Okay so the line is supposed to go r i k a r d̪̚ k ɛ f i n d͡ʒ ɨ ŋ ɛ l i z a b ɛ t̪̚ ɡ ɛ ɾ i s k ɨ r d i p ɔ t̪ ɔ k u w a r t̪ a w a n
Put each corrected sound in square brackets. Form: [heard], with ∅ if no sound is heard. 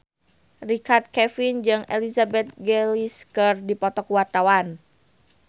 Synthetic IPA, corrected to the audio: r i k a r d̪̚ k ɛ f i n d͡ʒ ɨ ŋ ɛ l i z a b ɛ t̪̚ ɡ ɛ [l] i s k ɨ r d i p ɔ t̪ ɔ k u w a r t̪ a w a n